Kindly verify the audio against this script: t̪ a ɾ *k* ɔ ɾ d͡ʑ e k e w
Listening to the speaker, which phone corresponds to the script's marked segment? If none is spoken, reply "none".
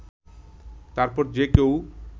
p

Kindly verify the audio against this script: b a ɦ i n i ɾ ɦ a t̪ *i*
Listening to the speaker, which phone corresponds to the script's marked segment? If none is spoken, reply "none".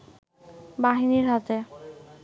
e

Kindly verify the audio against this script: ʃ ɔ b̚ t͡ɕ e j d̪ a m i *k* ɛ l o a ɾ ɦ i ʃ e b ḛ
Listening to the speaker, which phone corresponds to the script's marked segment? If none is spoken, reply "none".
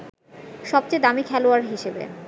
kʰ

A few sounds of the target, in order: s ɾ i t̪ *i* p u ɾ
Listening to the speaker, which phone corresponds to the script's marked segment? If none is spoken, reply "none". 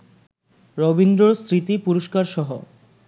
i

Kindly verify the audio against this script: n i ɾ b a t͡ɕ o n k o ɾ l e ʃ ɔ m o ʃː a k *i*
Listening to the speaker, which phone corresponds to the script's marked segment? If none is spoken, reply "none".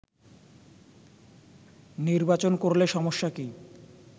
i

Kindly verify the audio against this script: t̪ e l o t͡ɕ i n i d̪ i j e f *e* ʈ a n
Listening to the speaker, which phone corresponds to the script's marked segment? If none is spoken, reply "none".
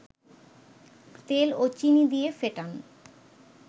e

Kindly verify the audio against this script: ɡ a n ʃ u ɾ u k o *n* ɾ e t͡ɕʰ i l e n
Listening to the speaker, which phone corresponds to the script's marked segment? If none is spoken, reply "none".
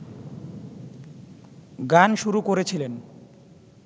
none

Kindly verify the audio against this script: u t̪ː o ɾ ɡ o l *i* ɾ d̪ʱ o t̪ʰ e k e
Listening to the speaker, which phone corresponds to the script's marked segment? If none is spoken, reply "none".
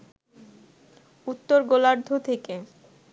a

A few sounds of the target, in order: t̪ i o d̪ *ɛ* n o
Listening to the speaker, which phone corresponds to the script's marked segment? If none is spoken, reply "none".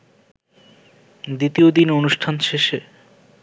i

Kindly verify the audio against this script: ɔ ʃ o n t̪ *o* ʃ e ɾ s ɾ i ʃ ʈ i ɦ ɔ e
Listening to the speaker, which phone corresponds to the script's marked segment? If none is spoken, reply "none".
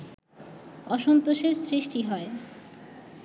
o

